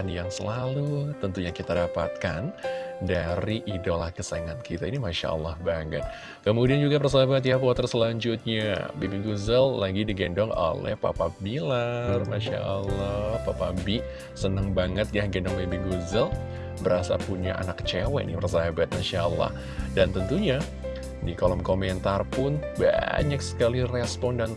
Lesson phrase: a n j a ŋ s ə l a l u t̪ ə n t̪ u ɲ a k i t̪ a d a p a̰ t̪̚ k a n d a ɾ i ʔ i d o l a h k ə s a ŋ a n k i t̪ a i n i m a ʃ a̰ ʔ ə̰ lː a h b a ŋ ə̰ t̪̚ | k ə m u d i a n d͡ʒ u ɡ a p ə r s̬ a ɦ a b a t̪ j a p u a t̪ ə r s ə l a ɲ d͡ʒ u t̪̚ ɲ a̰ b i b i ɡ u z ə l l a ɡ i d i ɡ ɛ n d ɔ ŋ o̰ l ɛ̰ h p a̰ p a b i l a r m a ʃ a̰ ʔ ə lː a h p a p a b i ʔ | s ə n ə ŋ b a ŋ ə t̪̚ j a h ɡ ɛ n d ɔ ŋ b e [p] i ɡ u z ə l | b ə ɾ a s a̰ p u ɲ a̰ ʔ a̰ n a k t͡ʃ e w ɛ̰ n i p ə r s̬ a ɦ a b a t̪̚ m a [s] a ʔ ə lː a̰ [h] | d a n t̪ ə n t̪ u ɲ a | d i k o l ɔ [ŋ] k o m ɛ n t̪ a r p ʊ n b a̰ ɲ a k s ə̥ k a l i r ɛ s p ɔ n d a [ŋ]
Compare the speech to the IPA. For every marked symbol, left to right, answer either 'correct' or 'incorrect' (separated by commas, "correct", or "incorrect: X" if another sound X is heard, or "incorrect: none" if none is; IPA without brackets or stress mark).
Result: incorrect: b, incorrect: ʃ, correct, incorrect: m, incorrect: n